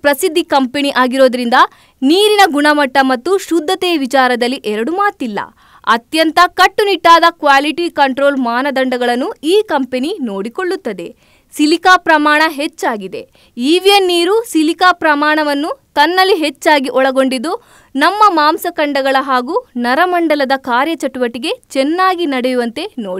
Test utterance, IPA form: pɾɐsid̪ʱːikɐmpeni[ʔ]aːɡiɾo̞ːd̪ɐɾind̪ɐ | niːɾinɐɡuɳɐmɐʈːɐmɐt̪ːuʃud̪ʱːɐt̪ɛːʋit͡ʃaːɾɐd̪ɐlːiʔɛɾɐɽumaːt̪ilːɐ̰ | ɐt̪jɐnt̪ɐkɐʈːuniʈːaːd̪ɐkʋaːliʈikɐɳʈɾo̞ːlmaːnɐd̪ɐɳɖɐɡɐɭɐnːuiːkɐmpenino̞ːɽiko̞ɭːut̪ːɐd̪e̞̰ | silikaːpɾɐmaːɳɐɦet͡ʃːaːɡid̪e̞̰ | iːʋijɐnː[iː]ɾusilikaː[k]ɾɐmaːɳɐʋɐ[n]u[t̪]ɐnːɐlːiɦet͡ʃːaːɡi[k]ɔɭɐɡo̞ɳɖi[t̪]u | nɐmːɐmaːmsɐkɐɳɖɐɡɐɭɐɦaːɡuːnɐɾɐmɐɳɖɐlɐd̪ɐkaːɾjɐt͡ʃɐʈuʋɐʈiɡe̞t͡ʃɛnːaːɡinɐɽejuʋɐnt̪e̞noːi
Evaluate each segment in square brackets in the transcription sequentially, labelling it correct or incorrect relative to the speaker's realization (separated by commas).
correct, correct, incorrect, incorrect, correct, incorrect, incorrect